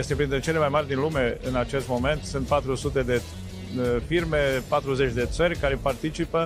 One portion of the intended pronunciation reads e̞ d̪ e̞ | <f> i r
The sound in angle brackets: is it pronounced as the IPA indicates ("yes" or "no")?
yes